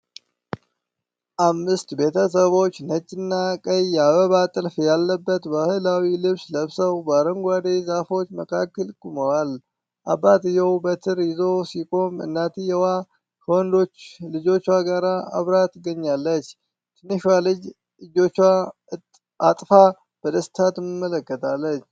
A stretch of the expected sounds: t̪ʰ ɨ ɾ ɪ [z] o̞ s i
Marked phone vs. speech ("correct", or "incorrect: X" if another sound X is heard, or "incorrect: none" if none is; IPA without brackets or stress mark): correct